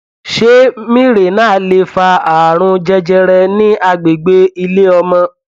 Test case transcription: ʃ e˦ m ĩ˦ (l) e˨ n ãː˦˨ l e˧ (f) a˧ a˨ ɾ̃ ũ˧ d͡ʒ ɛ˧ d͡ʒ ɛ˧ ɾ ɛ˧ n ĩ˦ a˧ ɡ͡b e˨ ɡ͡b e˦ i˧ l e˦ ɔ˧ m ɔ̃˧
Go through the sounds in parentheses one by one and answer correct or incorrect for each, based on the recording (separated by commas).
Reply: incorrect, correct